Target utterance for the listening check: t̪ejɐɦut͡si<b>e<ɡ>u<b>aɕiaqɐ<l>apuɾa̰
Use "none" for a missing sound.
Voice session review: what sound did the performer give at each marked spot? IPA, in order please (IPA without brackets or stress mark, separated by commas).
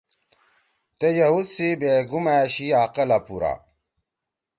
b, ɡ, m, l